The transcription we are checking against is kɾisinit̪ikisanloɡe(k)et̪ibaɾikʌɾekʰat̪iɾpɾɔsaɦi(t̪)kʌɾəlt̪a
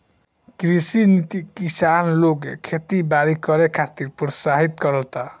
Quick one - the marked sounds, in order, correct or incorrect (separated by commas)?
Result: incorrect, correct